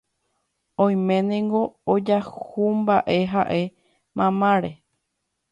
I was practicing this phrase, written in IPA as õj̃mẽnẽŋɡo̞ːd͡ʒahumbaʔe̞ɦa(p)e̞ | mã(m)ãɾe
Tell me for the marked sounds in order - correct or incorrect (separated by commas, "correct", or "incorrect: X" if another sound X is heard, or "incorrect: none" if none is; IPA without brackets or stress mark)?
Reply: incorrect: ʔ, correct